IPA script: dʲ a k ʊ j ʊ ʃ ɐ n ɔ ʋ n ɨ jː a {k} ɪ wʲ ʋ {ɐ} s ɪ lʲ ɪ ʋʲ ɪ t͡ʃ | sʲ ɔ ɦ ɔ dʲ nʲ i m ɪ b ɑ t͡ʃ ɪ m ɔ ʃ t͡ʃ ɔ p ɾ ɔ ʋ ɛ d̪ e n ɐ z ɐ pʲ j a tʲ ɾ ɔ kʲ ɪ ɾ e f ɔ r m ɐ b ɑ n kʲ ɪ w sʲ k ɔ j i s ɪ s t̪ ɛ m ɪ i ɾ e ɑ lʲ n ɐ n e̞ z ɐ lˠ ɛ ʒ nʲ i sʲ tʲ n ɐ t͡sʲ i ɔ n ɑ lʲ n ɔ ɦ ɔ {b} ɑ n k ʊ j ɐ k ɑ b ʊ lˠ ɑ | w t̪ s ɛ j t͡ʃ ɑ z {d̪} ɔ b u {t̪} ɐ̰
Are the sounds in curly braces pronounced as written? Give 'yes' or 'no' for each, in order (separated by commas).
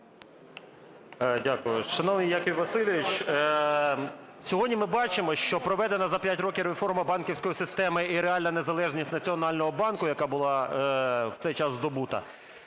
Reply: yes, yes, yes, yes, yes